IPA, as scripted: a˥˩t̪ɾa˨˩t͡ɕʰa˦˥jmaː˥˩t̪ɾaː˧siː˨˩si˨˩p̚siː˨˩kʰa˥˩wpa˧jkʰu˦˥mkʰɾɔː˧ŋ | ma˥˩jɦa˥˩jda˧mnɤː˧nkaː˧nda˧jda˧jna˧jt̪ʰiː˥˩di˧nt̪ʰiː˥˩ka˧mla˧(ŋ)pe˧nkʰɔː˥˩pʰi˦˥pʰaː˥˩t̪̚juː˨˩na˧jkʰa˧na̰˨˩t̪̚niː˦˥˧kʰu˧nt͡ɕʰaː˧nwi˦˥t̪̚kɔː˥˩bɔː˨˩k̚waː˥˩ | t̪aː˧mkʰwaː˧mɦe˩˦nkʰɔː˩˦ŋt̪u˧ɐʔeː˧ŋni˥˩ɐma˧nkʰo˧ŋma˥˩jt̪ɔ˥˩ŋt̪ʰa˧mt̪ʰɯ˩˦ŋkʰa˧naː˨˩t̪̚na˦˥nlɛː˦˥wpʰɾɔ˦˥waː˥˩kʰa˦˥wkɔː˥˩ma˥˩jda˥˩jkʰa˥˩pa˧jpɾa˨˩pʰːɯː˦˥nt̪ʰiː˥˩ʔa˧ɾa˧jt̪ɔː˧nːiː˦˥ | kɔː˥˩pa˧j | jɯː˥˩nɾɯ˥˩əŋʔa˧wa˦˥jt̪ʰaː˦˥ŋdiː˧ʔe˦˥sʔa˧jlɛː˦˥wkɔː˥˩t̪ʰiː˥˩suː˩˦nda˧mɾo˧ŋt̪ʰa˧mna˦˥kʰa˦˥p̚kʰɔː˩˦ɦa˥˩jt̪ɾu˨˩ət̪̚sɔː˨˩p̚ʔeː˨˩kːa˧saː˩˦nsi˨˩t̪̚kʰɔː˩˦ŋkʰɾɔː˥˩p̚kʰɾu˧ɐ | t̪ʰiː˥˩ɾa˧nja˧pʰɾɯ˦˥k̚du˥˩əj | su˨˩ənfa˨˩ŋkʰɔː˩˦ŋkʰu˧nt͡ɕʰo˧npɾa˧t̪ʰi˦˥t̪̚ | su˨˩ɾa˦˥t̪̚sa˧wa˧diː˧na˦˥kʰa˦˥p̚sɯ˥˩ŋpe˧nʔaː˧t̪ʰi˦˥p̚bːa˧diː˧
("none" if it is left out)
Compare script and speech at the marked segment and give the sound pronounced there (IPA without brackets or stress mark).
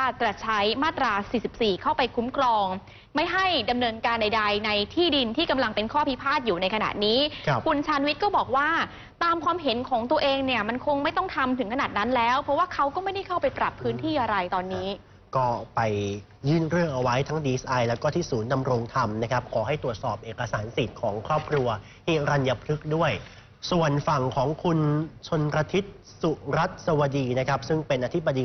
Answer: ŋ